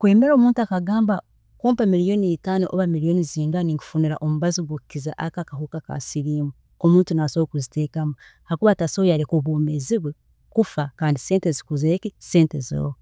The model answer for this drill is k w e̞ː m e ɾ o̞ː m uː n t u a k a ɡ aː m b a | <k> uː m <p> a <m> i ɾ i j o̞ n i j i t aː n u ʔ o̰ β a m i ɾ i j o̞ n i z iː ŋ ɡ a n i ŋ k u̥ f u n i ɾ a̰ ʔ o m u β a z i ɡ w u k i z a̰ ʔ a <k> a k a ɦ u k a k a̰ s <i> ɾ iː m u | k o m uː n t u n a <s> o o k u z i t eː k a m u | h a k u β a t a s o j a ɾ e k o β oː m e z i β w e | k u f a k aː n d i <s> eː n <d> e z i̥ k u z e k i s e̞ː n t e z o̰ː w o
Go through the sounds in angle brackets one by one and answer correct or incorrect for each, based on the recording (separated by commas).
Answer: correct, correct, correct, correct, correct, correct, correct, incorrect